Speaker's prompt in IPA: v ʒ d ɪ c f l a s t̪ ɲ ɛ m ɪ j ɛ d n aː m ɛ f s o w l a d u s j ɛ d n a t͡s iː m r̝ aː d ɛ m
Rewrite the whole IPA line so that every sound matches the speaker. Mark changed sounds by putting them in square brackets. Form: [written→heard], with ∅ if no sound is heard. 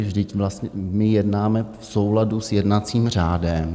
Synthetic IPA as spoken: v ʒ d ɪ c [f→v] l a s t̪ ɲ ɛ m ɪ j ɛ d n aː m ɛ f s o w l a d u s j ɛ d n a t͡s iː m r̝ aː d ɛ m